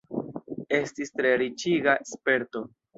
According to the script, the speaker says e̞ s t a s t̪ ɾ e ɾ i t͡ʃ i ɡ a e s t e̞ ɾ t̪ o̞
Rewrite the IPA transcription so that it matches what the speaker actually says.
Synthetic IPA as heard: e̞ s t i s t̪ ɾ e ɾ i t͡ʃ i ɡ a e s p e̞ ɾ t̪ o̞